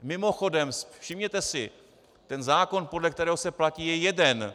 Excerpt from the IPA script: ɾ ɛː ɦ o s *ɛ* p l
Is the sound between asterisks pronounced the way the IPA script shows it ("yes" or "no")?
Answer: yes